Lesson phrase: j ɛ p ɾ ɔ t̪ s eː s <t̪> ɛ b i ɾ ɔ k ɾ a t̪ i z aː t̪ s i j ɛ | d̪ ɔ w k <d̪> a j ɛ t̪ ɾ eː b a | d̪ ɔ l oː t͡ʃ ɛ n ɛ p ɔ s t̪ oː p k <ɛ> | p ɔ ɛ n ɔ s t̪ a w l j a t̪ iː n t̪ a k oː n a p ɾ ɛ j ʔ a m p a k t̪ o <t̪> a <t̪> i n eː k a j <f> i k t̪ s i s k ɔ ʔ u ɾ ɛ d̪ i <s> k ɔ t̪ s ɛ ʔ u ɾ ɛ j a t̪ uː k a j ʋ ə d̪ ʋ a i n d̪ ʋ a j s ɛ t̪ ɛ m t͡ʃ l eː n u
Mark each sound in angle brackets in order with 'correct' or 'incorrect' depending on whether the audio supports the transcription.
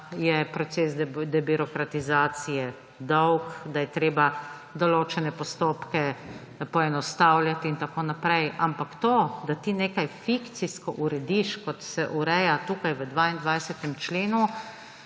incorrect: d̪, correct, correct, incorrect: d̪, correct, correct, incorrect: ʃ

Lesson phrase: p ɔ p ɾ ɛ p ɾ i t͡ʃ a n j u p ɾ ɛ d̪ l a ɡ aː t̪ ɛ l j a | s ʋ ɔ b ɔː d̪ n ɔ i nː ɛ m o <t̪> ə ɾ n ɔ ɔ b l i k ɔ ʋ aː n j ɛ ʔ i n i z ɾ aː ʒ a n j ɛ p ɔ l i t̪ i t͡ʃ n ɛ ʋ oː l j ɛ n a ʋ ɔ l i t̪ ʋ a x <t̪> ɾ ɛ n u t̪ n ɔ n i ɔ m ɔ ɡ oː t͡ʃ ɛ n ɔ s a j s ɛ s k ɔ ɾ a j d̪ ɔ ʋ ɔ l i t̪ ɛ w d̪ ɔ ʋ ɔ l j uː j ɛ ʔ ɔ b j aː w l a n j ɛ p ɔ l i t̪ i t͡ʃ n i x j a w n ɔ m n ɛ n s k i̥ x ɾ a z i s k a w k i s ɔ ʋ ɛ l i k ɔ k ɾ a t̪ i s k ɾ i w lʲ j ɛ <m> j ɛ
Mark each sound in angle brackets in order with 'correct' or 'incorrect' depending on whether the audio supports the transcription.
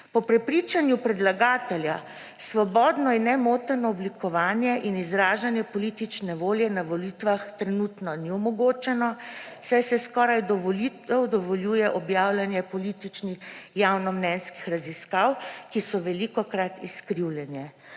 correct, correct, incorrect: n

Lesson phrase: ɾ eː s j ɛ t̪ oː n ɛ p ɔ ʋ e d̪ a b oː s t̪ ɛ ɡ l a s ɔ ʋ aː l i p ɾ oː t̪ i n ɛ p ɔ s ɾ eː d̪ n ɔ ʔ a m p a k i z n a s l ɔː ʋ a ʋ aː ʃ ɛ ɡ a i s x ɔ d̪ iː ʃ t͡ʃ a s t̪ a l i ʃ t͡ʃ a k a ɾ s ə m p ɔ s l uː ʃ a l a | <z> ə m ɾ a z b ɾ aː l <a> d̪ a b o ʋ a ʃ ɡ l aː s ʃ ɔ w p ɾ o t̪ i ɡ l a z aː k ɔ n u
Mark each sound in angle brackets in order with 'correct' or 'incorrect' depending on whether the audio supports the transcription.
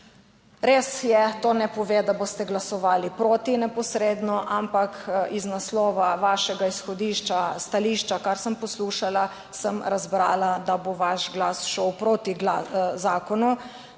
incorrect: s, correct

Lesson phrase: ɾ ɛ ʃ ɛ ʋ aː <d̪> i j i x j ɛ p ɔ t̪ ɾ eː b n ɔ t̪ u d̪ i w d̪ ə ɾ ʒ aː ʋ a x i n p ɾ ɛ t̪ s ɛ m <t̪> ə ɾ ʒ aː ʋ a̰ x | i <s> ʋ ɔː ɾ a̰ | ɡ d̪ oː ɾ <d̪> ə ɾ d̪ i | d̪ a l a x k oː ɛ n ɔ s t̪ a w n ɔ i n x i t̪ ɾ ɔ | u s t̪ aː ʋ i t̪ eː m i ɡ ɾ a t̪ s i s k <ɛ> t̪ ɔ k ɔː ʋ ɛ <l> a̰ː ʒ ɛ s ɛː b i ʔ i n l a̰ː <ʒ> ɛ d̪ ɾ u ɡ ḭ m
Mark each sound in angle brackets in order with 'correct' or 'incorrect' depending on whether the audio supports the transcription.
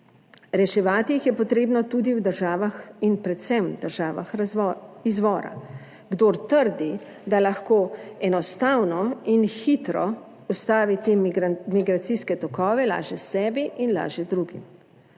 incorrect: t̪, incorrect: d̪, incorrect: z, incorrect: t̪, correct, correct, correct

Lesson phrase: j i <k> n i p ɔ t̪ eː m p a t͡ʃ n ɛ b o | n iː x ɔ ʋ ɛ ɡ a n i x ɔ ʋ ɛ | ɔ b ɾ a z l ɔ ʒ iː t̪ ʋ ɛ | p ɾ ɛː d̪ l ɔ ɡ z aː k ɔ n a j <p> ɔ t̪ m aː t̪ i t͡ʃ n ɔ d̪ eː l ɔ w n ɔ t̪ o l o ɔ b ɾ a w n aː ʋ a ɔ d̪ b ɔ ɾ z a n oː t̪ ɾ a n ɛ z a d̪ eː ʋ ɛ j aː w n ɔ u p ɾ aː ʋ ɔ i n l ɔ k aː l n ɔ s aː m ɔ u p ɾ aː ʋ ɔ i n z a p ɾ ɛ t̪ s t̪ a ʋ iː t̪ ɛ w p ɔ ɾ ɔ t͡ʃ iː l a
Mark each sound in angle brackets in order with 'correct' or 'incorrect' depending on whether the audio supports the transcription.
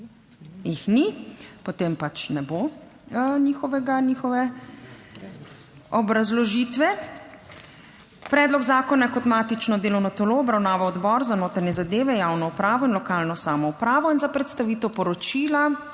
incorrect: x, incorrect: k

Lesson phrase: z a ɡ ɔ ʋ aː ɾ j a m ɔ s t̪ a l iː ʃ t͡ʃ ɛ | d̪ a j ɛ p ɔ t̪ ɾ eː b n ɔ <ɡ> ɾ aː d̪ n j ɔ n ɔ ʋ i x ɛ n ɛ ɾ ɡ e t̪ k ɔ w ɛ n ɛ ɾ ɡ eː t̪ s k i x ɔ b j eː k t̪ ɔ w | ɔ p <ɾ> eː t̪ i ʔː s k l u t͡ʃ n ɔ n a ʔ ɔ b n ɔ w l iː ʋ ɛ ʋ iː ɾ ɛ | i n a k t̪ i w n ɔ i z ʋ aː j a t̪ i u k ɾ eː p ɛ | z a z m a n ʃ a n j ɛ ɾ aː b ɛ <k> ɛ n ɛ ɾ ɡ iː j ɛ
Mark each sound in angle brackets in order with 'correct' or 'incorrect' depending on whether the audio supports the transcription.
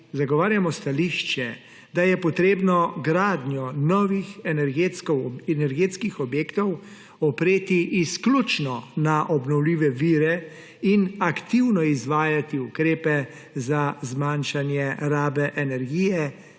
correct, correct, incorrect: ʔ

